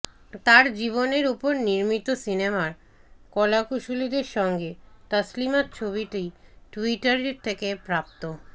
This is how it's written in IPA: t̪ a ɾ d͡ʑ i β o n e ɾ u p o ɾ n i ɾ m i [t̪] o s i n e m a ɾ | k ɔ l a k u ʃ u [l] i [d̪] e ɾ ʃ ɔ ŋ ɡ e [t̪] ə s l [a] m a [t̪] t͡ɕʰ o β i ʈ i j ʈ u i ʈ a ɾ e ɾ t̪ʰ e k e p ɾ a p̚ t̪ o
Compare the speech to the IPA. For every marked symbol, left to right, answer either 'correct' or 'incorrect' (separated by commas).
correct, correct, correct, correct, incorrect, correct